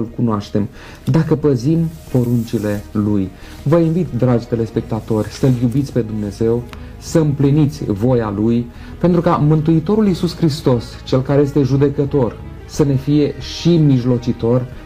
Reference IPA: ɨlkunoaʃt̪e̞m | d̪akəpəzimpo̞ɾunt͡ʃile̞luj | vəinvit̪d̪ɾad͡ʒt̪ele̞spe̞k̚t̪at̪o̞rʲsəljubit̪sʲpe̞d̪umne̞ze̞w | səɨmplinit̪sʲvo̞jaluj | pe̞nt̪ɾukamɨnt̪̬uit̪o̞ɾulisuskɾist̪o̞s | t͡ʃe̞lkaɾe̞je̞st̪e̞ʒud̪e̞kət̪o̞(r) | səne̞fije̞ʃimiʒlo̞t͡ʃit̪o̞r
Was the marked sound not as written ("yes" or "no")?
no